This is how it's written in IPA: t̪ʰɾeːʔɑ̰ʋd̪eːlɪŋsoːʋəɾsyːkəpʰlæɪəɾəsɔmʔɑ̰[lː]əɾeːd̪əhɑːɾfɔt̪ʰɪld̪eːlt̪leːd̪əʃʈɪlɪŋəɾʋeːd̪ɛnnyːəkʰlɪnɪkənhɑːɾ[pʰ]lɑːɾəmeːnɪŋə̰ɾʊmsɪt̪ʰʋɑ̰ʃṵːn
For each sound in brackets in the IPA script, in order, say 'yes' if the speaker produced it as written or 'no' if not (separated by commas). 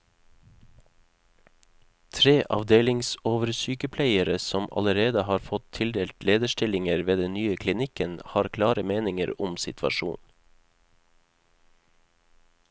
no, no